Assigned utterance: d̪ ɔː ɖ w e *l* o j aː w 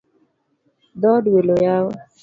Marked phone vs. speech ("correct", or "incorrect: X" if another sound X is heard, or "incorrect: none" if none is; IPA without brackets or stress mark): correct